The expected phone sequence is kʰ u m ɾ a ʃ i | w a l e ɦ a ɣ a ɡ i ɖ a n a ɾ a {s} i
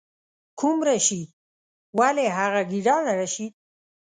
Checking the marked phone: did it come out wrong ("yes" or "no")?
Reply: yes